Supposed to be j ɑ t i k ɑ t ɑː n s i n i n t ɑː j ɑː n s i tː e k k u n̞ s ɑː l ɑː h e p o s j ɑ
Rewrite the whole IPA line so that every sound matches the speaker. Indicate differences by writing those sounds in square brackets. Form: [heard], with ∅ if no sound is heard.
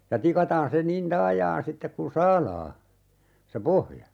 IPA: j ɑ t i k ɑ t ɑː n s [e] n i n t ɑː j ɑː n s i tː e k k u n̞ s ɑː l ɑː [s] e p o [h] j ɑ